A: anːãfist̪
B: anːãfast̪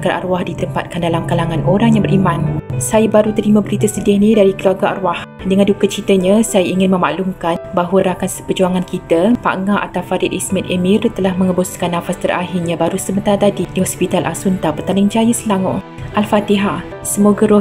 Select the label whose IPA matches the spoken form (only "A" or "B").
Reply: B